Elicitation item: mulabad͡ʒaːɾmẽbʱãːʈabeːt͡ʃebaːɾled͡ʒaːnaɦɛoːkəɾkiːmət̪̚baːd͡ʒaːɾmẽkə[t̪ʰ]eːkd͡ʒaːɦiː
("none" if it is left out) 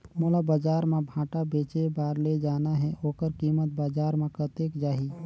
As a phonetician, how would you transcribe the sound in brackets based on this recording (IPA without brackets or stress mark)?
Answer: t̪